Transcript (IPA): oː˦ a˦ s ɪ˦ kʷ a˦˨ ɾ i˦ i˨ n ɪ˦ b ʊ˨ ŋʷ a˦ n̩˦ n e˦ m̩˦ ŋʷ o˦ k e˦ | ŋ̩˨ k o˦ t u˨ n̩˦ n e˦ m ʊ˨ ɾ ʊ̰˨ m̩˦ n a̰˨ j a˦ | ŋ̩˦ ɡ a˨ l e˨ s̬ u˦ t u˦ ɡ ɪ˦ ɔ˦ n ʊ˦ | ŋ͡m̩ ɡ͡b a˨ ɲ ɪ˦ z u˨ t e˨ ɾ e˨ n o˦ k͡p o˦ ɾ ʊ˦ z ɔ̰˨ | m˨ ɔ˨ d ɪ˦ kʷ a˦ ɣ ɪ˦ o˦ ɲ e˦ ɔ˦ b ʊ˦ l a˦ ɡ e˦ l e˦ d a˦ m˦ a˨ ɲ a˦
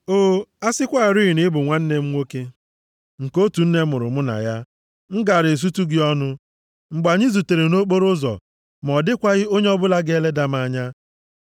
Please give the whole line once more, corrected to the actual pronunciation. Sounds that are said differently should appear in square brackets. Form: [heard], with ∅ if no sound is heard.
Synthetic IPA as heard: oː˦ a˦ s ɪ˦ kʷ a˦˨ ɾ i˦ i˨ n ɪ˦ b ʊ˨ ŋʷ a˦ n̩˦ n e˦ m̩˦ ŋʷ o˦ k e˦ | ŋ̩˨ k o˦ t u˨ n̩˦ n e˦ m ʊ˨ ɾ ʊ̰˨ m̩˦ n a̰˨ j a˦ | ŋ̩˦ ɡ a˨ [ɾ] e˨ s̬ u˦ t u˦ ɡ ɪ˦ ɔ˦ n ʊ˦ | ŋ͡m̩ ɡ͡b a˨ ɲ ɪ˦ z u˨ t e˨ ɾ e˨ n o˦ k͡p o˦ ɾ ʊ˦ z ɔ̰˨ | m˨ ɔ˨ d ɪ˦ kʷ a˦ ɣ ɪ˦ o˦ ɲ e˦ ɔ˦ b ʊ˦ l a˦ ɡ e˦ l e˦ d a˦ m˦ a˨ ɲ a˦